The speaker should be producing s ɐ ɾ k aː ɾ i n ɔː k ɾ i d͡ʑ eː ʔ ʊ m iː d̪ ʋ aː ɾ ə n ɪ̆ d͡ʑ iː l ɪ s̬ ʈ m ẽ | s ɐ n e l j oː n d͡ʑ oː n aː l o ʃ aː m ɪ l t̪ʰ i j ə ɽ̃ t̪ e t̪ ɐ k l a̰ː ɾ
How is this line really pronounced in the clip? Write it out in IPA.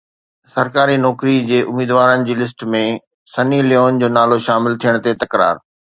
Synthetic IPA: s ɐ ɾ k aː ɾ i n ɔː k ɾ i d͡ʑ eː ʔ ʊ m iː d̪ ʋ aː ɾ ə n ɪ̆ d͡ʑ iː l ɪ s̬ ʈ m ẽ | s ɐ n i l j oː n d͡ʑ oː n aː l o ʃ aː m ɪ l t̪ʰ i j ə ɽ̃ t̪ e t̪ ɐ k ɾ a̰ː ɾ